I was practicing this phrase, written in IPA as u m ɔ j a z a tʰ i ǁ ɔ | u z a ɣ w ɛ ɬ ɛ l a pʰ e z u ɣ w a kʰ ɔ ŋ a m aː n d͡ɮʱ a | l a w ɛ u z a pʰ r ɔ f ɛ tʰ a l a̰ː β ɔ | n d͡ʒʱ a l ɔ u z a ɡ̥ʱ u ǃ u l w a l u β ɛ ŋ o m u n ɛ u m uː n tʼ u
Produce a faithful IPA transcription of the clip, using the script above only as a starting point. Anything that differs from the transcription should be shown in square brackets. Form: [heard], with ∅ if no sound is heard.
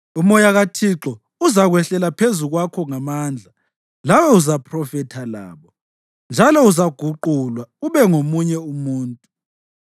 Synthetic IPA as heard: u m ɔ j a [ɣ] a tʰ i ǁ ɔ | u z a ɣ w ɛ ɬ ɛ l a pʰ e z u ɣ w a kʰ ɔ ŋ a m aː n d͡ɮʱ a | l a w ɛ u z a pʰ r ɔ f ɛ tʰ a l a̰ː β ɔ | n d͡ʒʱ a l ɔ u z a ɡ̥ʱ u ǃ u l w a [∅] u β ɛ ŋ o m u [ɲ] ɛ u m uː n tʼ u